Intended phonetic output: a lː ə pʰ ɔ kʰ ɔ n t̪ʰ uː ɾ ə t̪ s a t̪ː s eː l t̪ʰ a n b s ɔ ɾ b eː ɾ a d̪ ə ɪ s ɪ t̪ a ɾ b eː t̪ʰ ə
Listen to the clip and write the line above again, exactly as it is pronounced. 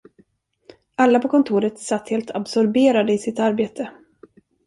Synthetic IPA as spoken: a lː a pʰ ɔ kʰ ɔ n t̪ʰ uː ɾ ə t̪ s a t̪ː h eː l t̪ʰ a b s ɔ ɾ b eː ɾ a d̪ ə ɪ s ɪ t̪ a ɾ b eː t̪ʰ ə